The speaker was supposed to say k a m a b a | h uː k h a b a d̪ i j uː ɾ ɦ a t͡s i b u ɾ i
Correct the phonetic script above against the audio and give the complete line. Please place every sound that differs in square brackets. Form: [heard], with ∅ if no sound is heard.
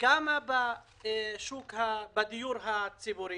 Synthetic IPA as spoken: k a m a b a | [ʃ] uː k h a b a d̪ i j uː ɾ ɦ a t͡s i b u ɾ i